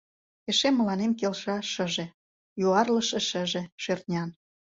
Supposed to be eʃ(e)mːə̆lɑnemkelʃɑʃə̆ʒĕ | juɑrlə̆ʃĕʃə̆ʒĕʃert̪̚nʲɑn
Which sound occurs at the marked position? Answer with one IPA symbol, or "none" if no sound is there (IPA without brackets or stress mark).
e